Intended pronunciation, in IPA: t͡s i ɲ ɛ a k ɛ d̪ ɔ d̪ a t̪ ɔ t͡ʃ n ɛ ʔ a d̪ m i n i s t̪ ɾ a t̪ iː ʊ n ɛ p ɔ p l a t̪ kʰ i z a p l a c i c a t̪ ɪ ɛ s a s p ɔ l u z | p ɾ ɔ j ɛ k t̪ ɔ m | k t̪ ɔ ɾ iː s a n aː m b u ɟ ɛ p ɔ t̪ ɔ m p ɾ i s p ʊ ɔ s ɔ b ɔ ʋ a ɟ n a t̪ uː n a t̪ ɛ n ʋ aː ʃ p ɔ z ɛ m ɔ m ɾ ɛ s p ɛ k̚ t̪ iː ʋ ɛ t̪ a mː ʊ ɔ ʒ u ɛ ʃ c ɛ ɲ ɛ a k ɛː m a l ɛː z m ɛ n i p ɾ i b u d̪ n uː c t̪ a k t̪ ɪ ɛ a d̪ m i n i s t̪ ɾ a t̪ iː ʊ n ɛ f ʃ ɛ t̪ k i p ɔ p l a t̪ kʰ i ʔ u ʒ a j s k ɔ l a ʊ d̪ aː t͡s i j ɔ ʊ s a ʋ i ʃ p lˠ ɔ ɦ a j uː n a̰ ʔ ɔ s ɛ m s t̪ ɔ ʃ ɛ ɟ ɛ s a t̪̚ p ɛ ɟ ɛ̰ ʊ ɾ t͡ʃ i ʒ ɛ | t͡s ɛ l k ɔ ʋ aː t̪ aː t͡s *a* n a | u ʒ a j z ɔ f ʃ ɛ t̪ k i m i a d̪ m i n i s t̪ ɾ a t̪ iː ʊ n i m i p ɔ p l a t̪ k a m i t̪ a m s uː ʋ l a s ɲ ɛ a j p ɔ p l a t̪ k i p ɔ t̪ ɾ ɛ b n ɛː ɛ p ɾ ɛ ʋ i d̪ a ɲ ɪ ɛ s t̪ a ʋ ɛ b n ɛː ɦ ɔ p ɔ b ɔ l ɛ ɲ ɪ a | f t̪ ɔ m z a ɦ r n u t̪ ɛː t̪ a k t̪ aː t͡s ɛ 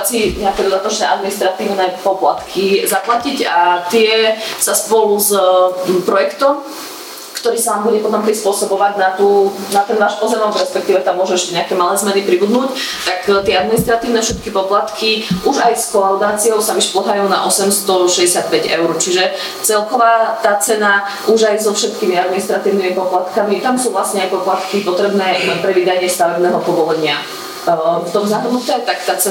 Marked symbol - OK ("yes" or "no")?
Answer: no